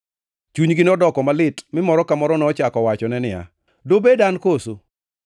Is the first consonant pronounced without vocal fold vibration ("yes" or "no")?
yes